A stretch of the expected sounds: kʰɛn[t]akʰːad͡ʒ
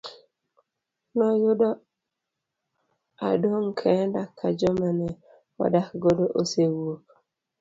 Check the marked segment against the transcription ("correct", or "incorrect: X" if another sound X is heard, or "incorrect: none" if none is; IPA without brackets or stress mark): incorrect: d